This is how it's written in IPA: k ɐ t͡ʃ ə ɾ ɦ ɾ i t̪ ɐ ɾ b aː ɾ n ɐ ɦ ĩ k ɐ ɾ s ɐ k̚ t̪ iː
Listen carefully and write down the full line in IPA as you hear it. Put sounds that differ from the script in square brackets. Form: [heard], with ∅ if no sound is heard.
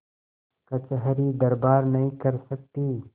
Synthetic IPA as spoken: k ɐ t͡ʃ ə [∅] ɦ ɾ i [d̪] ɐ ɾ b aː ɾ n ɐ ɦ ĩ k ɐ ɾ s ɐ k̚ t̪ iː